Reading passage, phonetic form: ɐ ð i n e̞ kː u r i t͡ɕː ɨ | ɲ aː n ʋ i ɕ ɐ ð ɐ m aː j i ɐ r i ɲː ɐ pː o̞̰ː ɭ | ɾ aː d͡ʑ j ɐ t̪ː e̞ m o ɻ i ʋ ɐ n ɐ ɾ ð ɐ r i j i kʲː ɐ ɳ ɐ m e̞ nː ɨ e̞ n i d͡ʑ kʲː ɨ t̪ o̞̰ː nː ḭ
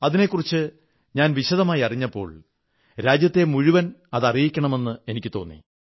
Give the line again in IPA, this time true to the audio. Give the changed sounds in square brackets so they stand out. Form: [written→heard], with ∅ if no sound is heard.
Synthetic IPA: ɐ ð i n e̞ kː u r i t͡ɕː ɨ | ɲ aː n ʋ i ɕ ɐ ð ɐ m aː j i ɐ r i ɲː ɐ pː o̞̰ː ɭ | ɾ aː d͡ʑ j ɐ t̪ː e̞ m [o→u] ɻ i ʋ ɐ n ɐ [ɾ→∅] ð ɐ r i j i kʲː ɐ ɳ ɐ m e̞ nː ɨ e̞ n i [d͡ʑ→∅] kʲː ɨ t̪ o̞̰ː nː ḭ